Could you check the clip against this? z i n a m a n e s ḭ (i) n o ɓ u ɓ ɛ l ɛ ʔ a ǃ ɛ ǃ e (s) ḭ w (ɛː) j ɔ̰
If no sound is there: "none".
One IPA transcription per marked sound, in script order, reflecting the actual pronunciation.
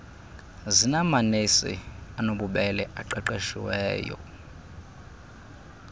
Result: a, ʃ, ɛː

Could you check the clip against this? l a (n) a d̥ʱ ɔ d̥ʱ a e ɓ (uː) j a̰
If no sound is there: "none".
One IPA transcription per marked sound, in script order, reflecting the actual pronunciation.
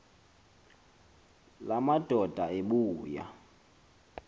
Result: m, uː

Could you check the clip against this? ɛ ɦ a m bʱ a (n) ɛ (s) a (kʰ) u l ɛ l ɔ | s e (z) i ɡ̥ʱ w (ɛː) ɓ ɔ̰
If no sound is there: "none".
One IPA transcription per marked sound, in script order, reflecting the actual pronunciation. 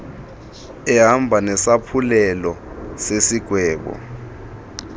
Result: n, s, pʰ, s, ɛː

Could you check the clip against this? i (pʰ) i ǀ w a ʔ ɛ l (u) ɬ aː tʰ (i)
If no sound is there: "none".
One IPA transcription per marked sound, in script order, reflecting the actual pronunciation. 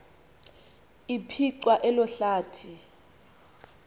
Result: pʰ, ɔ, i

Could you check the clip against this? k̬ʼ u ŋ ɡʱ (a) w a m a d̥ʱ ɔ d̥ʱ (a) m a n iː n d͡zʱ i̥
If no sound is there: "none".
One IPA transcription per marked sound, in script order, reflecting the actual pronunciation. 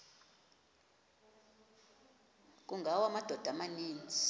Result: a, a

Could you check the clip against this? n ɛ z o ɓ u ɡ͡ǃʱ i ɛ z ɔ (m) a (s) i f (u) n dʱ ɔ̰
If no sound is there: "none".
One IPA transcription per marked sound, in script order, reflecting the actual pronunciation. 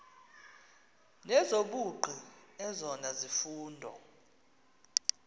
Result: n, z, uː

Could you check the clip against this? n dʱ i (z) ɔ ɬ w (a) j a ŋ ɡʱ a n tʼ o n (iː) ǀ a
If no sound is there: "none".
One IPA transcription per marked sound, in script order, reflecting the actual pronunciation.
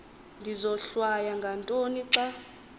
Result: z, a, i

